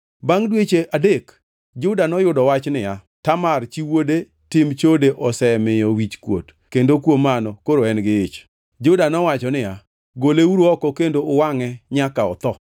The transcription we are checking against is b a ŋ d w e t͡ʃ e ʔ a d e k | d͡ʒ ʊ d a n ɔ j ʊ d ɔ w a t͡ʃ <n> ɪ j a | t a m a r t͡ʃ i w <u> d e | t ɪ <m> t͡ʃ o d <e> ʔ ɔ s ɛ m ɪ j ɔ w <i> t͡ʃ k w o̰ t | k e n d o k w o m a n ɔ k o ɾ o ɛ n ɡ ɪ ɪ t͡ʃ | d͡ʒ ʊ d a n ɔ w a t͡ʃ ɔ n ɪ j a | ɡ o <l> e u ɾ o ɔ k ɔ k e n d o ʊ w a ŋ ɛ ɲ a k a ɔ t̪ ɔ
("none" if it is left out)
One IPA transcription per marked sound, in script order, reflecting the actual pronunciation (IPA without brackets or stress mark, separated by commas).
n, o, m, e, i, l